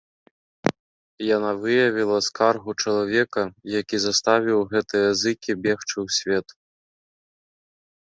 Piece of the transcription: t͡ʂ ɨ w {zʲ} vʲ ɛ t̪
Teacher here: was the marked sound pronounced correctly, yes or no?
no